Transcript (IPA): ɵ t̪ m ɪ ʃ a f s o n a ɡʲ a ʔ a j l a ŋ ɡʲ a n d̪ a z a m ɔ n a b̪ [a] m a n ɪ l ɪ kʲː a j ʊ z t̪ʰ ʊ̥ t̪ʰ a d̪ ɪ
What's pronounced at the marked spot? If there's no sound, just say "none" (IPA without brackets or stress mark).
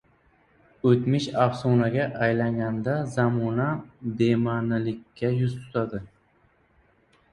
e